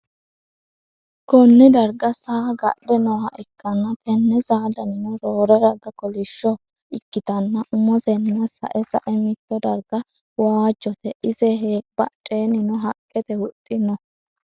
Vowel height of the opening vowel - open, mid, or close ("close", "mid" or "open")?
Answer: mid